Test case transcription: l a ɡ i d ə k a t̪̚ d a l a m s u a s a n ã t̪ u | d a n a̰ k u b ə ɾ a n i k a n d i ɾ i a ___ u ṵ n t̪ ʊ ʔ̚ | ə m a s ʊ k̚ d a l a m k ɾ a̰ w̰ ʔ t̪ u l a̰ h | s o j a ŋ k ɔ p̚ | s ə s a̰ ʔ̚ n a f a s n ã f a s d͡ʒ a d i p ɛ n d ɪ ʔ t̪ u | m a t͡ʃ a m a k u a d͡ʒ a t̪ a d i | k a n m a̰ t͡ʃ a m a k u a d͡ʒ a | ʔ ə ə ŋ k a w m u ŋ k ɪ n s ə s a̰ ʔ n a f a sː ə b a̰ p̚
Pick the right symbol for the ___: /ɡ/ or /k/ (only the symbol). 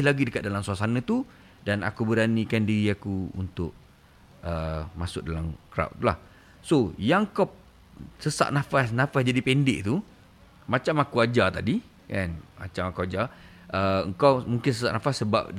k